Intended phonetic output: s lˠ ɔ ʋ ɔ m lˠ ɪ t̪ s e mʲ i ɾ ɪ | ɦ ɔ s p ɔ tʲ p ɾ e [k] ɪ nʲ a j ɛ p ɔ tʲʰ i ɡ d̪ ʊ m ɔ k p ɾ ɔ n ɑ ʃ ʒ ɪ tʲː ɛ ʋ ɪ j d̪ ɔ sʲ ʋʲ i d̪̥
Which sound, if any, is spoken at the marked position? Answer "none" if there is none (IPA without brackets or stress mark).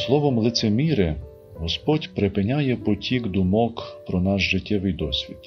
p